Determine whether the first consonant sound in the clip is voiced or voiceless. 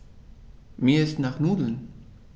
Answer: voiced